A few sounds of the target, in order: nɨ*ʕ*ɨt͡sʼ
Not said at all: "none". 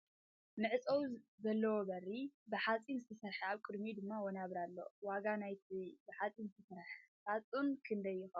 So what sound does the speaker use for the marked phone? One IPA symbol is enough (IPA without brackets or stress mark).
ʕ